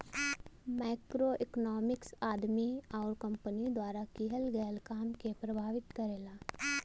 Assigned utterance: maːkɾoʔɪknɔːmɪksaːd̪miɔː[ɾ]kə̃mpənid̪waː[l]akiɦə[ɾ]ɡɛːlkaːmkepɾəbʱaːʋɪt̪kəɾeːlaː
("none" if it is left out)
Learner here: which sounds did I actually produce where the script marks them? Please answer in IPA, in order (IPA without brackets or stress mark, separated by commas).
ɾ, ɾ, l